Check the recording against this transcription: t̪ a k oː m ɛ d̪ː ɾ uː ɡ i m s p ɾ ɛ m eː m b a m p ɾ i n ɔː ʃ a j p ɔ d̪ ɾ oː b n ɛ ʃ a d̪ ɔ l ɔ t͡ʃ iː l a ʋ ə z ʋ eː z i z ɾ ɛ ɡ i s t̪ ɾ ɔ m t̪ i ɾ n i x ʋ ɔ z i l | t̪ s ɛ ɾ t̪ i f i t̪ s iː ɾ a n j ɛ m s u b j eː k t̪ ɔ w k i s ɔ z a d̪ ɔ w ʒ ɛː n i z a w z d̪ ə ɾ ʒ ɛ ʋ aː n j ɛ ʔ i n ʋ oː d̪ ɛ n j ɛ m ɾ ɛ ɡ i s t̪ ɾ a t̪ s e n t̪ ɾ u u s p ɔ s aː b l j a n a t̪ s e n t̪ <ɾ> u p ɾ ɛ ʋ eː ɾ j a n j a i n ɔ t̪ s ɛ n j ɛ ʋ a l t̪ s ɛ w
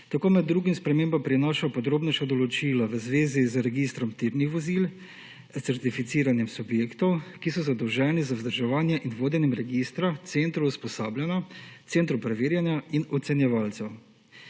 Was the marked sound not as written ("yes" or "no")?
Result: no